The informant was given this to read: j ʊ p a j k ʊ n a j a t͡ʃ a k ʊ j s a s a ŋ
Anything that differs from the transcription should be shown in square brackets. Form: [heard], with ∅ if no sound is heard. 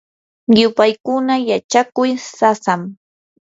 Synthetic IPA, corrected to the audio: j ʊ p a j k ʊ n a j a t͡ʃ a k ʊ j s a s a [m]